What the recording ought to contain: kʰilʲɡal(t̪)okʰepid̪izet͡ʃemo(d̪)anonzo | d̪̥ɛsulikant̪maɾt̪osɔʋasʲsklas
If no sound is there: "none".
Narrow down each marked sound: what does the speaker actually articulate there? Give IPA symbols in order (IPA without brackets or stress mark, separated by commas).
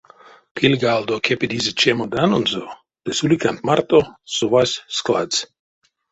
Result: d̪, d̪